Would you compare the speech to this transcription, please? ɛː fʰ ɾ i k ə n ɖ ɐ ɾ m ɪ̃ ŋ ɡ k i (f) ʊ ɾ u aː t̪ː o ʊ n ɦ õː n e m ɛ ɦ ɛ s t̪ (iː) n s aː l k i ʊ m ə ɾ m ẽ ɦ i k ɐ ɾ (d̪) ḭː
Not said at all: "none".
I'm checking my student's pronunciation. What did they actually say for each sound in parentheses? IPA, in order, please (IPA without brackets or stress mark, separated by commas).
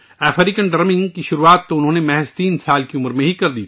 ʃ, iː, d̪